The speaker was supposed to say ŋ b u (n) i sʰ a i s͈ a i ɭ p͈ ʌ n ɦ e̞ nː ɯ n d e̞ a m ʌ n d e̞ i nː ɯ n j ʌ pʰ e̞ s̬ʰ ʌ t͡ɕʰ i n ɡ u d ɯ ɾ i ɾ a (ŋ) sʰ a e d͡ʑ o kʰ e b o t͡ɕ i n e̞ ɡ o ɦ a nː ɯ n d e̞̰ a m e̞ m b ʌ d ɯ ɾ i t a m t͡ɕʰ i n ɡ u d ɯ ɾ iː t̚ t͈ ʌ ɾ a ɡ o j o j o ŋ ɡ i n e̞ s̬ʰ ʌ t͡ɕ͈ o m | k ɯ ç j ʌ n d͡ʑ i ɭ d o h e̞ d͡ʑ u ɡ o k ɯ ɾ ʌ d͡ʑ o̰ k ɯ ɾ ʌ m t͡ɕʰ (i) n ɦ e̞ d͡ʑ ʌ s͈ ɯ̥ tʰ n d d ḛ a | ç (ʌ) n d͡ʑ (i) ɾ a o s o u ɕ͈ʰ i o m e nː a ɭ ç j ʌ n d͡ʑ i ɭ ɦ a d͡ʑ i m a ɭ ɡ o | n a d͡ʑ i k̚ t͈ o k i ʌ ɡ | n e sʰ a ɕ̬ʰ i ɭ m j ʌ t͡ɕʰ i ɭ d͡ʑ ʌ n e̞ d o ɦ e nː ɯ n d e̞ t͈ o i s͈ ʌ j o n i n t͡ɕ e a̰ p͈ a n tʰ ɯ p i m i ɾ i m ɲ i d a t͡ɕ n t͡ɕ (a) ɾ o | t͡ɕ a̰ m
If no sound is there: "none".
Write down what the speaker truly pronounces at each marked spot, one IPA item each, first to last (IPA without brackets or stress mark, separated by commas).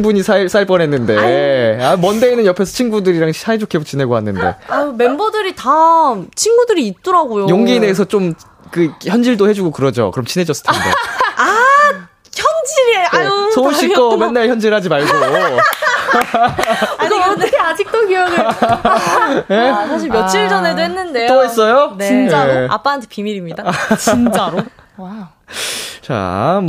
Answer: ɲ, ŋ, i, ʌ, i, a